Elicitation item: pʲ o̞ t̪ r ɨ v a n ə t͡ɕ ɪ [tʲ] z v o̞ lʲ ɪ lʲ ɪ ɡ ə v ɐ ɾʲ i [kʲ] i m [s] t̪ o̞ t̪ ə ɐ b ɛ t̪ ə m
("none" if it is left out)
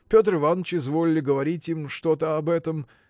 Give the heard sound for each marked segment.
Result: none, tʲ, ʂ

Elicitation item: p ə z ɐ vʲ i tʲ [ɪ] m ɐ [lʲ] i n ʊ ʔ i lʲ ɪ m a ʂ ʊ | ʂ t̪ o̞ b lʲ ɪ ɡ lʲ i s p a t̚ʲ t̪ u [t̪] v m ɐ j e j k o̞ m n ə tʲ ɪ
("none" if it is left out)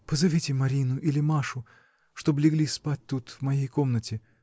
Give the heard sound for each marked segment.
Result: ɪ, ɾʲ, t̪

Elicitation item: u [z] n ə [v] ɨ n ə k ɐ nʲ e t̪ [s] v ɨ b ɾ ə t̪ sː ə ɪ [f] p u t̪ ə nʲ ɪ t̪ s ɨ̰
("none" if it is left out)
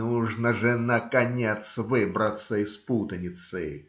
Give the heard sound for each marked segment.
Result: ʐ, ʐ, s, s

